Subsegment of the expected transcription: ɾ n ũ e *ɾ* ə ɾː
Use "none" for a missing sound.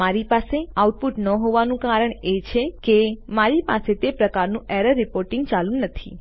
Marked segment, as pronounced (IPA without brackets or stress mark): ɾ